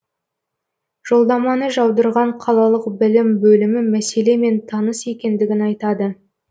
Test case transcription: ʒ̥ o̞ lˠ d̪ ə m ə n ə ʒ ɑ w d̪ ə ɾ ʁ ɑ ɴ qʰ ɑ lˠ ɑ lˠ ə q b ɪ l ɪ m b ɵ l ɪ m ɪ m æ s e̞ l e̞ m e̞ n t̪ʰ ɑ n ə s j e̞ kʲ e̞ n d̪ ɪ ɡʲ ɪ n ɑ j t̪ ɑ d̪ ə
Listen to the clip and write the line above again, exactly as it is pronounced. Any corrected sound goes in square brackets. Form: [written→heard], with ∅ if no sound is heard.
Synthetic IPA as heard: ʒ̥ o̞ lˠ d̪ [ə→ɑ] m [ə→ɑ] n ə ʒ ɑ w d̪ ə ɾ ʁ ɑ ɴ qʰ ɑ lˠ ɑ lˠ ə q b ɪ l ɪ m b ɵ l ɪ m ɪ m æ s e̞ l e̞ m e̞ n t̪ʰ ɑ n ə s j e̞ kʲ e̞ n d̪ ɪ ɡʲ ɪ n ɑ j t̪ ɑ d̪ ə